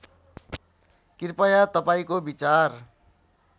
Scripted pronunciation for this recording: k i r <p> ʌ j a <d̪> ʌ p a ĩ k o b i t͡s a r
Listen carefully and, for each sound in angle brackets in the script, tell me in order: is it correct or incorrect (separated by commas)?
correct, incorrect